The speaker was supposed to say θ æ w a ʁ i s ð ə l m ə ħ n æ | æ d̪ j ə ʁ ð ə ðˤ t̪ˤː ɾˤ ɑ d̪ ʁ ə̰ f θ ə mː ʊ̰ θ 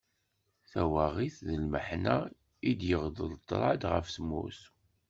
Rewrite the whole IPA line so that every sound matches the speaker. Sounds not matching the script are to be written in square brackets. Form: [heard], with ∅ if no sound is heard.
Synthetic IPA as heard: θ æ w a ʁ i [θ] ð ə l m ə ħ n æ | [i] d̪ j ə ʁ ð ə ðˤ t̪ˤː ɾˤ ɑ d̪ ʁ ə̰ f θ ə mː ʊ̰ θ